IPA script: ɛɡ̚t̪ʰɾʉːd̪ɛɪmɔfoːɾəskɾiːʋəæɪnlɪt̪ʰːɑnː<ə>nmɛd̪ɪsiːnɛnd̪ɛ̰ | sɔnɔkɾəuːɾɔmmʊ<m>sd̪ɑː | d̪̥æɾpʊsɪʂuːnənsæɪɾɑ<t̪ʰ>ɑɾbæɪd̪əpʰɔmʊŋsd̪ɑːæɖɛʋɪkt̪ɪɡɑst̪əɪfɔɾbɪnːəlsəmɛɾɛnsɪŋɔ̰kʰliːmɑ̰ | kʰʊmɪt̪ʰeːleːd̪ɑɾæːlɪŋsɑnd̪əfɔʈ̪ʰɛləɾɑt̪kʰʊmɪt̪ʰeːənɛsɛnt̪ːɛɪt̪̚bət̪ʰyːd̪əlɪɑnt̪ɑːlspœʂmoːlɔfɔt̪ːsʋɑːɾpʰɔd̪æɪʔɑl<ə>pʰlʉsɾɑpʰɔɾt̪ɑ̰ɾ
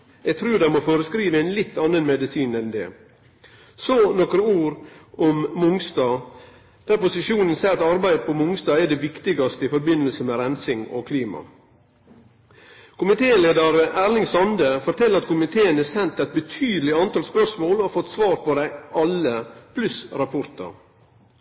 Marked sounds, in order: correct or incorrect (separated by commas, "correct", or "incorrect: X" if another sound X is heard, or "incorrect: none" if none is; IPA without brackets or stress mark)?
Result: correct, incorrect: ŋ, incorrect: t̪, correct